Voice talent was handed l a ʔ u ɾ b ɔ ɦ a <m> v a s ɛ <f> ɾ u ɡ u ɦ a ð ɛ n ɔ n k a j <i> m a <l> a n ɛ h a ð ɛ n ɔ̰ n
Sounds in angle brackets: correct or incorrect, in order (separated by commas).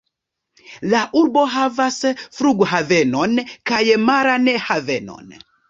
incorrect, correct, incorrect, incorrect